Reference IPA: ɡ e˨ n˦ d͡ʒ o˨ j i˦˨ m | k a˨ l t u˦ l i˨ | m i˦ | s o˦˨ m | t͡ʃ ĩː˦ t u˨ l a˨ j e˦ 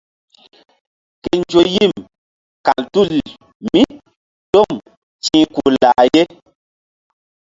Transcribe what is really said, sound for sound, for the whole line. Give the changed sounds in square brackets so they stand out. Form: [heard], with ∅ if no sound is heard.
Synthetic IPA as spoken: [k] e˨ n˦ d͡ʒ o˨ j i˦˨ m | k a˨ l t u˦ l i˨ | m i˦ | [t] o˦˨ m | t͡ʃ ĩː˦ [k] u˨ l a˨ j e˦

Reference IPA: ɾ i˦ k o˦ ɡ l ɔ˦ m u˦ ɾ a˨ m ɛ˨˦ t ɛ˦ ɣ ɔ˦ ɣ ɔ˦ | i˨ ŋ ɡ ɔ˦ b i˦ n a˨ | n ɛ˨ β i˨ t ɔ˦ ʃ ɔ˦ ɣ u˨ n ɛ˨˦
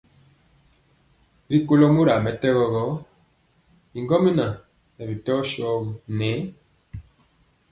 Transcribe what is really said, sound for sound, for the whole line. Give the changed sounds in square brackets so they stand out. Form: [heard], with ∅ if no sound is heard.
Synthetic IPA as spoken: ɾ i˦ k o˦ [∅] l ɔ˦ m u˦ ɾ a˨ m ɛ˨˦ t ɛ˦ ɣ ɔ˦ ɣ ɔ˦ | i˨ ŋ ɡ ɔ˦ [m] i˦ n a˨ | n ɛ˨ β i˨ t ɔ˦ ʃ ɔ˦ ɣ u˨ n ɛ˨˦

